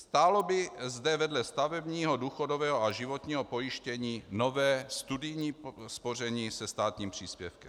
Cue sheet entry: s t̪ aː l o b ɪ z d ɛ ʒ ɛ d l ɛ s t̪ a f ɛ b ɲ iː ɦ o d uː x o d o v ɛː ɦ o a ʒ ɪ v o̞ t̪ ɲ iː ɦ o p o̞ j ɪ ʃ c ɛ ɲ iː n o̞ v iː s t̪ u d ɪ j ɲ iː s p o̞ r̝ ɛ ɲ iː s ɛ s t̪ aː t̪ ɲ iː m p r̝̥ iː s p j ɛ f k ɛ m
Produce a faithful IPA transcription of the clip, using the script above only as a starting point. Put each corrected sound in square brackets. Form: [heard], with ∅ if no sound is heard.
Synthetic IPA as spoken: s t̪ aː l o b ɪ z d ɛ [v] ɛ d l ɛ s t̪ a [v] ɛ b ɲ iː ɦ o d uː x o d o v ɛː ɦ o a ʒ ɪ v o̞ t̪ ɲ iː ɦ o p o̞ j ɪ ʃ c ɛ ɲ iː n o̞ v [ɛː] s t̪ u d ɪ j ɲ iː s p o̞ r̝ ɛ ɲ iː s ɛ s t̪ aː t̪ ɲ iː m p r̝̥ iː s p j ɛ f k ɛ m